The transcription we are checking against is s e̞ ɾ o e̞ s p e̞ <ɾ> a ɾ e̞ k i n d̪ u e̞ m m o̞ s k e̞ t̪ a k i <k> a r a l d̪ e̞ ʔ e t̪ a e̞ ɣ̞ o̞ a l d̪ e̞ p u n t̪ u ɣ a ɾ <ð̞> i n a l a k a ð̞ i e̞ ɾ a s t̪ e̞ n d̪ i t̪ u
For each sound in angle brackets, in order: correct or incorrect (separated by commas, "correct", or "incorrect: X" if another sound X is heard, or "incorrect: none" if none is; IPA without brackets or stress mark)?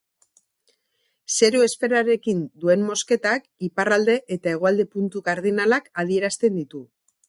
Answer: correct, incorrect: p, correct